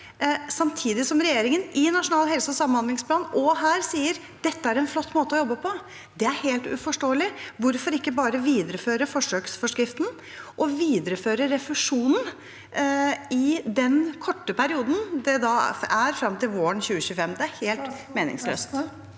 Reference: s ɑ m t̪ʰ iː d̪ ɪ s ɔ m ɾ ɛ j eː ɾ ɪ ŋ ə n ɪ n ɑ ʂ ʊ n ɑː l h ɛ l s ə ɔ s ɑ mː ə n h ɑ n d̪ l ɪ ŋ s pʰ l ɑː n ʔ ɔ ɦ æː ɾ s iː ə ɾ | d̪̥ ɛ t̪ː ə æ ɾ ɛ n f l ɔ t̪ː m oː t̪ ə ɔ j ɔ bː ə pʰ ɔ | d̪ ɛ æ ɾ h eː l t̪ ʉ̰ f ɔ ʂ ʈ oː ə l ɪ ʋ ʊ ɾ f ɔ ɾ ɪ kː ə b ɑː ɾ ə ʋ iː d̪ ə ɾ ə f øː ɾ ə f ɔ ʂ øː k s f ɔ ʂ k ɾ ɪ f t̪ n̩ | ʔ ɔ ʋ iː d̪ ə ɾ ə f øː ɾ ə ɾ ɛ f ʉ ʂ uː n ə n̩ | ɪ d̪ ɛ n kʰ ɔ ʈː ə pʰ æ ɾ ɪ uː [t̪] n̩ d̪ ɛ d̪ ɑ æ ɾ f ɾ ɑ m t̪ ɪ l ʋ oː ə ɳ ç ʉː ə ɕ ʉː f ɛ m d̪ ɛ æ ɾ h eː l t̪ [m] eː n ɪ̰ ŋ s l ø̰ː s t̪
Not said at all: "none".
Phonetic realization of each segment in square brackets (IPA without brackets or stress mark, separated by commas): d̪, m